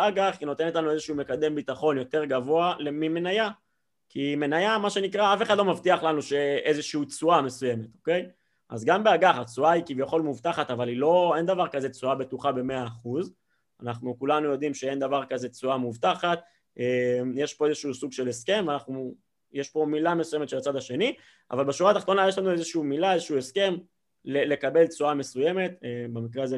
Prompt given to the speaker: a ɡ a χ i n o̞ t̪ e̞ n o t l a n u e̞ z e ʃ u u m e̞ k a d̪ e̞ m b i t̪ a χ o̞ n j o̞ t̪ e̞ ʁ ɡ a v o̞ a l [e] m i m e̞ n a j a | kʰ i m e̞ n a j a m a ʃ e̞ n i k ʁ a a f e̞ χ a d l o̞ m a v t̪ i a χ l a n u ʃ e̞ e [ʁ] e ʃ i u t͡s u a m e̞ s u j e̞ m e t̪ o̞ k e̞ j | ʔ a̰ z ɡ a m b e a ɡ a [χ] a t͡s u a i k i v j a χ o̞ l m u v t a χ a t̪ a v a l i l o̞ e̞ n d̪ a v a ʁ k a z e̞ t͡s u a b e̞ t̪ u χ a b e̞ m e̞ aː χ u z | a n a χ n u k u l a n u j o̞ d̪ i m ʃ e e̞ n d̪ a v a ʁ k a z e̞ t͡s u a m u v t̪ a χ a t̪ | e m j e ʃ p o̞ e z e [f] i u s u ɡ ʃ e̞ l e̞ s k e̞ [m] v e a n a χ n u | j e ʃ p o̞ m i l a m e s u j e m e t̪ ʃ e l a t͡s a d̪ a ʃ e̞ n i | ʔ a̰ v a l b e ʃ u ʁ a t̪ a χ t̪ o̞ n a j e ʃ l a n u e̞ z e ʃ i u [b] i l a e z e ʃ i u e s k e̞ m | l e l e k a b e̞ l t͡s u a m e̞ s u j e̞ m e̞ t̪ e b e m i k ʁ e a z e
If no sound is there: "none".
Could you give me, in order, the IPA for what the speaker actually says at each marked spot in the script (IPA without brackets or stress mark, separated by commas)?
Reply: e, z, χ, ʃ, m, m